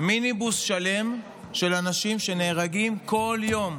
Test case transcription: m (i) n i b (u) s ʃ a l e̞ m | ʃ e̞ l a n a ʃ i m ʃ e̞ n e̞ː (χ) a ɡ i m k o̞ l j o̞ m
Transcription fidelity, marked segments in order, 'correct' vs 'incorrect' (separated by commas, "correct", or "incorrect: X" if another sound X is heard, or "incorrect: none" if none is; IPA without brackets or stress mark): correct, correct, incorrect: ʁ